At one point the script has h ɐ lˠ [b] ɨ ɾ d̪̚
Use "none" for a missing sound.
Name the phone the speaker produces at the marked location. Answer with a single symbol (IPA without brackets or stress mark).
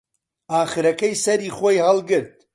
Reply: ɡ